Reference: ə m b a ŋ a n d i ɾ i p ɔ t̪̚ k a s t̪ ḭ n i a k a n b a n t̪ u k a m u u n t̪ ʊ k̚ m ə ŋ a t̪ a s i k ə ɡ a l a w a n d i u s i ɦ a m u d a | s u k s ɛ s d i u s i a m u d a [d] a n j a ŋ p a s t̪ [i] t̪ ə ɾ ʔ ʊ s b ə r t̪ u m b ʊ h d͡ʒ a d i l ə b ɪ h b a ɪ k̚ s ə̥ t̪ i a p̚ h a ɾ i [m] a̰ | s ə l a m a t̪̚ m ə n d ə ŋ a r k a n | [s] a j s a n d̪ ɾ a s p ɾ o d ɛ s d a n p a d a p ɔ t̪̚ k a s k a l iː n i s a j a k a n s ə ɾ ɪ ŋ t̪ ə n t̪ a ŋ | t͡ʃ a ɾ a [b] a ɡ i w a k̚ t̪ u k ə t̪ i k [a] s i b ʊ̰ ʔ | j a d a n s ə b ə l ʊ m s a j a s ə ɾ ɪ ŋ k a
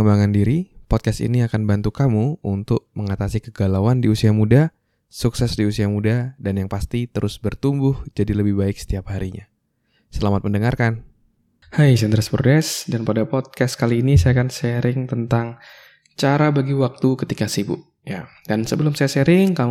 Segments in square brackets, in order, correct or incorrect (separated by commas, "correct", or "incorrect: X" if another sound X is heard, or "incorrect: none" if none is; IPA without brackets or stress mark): correct, correct, incorrect: ɲ, incorrect: h, correct, correct